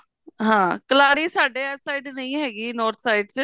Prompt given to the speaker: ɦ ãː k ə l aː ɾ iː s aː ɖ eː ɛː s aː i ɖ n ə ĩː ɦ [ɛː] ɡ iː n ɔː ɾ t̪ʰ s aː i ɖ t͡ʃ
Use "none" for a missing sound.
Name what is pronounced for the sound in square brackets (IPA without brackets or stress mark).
ɛː